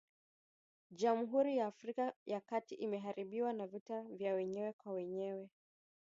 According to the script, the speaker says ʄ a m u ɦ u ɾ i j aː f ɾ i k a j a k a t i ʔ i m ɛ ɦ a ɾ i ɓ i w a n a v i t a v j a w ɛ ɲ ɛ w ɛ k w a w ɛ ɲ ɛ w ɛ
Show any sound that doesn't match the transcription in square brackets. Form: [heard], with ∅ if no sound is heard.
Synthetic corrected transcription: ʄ a m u ɦ u ɾ i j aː f ɾ i k a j a k a t i ʔ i m ɛ ɦ a ɾ i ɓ i w a n a v i t a v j a w ɛ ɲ ɛ w ɛ k w a w ɛ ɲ ɛ w ɛ

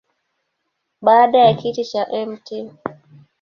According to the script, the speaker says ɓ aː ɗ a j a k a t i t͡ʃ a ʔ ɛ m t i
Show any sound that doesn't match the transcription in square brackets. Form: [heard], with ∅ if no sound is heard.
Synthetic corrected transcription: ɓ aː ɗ a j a k [i] t i t͡ʃ a ʔ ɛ m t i

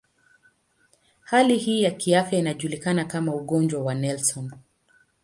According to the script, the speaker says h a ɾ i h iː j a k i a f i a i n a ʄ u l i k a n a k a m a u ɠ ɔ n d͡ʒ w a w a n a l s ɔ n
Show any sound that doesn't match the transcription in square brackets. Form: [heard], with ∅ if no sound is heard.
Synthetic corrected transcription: h a [l] i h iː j a k i a f [j] a i n a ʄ u l i k a n a k a m a u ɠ ɔ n d͡ʒ w a w a n [ɛ] l s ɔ n

